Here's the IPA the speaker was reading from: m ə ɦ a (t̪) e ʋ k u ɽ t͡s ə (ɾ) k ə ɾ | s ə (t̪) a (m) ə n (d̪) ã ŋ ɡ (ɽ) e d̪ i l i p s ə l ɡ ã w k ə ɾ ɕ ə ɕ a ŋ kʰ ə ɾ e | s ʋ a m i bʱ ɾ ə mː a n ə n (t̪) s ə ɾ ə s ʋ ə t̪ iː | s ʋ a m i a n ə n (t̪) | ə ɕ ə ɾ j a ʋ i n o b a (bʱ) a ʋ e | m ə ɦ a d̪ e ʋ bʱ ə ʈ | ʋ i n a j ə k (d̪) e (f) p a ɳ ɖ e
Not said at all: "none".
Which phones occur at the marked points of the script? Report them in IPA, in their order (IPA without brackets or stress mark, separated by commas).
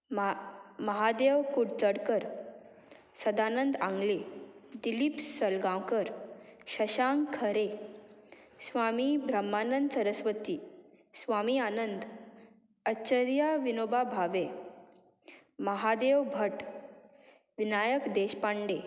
d̪, ɽ, d̪, n, d̪, l, d̪, d̪, bʱ, d̪, ɕ